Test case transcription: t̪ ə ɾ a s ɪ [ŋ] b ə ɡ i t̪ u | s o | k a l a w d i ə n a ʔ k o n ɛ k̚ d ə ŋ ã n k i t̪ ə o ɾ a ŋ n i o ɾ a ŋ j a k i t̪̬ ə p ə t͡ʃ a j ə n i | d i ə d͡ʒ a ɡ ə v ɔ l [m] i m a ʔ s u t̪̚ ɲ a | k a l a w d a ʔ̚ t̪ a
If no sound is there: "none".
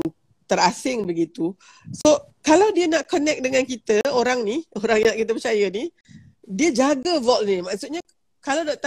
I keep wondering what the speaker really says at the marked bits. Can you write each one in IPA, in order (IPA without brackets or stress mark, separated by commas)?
ŋ, n